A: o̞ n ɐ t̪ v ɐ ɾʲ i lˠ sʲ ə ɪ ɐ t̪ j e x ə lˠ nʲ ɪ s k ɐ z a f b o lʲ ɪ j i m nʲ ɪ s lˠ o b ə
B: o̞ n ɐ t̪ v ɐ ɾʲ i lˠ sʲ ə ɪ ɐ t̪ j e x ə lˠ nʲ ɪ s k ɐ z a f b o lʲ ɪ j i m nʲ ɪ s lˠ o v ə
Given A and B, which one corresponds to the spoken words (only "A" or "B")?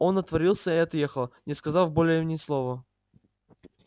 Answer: B